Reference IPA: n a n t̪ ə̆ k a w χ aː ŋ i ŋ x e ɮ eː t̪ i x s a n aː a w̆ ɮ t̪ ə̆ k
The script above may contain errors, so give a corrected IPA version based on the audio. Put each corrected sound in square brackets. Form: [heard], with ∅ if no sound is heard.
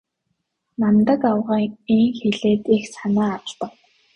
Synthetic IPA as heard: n a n t̪ ə̆ k a w [ʁ] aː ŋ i ŋ x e ɮ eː t̪ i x s a n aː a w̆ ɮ t̪ ə̆ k